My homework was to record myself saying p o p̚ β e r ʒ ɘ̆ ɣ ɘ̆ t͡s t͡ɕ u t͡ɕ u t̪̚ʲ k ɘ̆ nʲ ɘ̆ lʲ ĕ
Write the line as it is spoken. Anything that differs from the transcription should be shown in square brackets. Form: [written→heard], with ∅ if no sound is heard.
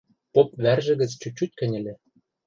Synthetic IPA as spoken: p o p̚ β [e→æ] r ʒ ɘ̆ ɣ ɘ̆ t͡s t͡ɕ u t͡ɕ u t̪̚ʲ k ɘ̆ nʲ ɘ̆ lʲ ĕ